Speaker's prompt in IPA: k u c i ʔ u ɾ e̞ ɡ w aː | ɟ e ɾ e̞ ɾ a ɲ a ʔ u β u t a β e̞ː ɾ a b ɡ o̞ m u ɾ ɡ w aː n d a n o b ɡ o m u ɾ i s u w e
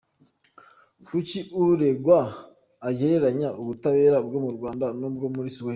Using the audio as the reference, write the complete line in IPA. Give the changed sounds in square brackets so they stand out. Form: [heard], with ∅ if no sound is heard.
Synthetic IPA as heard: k u c i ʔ u ɾ e̞ ɡ w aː | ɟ e ɾ e̞ ɾ a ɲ a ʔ u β u t a β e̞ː ɾ a b ɡ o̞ m u ɾ ɡ w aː n d a n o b ɡ o m u ɾ i s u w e